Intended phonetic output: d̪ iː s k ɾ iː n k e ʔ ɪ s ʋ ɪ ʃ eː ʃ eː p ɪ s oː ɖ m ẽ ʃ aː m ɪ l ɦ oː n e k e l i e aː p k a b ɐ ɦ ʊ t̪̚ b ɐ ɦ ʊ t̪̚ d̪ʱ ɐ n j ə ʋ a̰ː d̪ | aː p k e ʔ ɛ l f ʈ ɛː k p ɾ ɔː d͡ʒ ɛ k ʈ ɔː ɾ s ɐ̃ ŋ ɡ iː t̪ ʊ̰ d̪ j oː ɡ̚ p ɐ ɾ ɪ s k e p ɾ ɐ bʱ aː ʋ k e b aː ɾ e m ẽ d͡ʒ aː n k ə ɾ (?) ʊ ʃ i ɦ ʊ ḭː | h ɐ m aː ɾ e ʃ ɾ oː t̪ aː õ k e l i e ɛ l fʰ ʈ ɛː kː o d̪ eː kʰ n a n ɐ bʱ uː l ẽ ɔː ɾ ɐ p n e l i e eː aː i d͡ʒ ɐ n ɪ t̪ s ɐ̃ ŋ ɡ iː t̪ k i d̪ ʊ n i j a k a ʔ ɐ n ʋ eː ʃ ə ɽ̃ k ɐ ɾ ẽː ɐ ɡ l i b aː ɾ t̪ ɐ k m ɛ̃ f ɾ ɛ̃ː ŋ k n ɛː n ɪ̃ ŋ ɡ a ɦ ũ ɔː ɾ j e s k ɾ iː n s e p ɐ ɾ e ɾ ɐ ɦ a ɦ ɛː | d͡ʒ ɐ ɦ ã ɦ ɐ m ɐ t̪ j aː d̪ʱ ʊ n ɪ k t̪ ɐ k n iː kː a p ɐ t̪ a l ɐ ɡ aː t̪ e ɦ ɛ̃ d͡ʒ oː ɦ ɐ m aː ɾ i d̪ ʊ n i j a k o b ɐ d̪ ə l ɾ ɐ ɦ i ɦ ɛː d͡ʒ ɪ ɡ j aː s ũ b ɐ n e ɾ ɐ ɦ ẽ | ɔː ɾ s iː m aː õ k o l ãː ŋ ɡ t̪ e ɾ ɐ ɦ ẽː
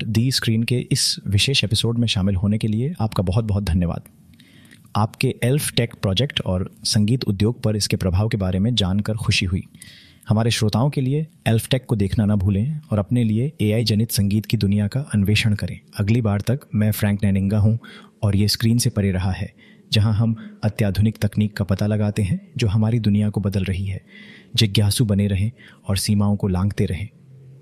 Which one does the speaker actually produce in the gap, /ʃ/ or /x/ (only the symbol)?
x